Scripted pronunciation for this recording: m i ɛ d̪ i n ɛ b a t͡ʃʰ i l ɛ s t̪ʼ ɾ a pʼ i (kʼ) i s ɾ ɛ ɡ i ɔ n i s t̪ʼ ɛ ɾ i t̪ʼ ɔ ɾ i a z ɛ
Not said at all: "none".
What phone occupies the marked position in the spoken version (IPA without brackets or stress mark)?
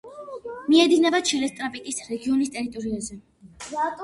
kʼ